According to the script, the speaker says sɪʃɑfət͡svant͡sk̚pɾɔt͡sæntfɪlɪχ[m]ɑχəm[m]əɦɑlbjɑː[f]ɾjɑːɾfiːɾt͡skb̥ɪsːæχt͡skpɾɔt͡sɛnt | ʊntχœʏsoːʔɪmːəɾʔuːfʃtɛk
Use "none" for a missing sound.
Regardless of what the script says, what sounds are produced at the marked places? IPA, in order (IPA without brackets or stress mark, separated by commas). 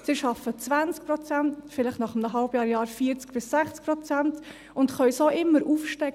n, n, none